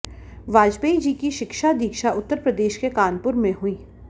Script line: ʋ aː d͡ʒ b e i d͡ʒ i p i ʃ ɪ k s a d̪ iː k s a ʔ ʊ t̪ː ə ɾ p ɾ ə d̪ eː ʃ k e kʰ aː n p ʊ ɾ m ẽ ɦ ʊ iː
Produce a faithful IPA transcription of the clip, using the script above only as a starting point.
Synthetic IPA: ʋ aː d͡ʒ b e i d͡ʒ i k i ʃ ɪ k ʃ a d̪ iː k ʃ a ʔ ʊ t̪ː ə ɾ p ɾ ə d̪ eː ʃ k e k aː n p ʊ ɾ m ẽ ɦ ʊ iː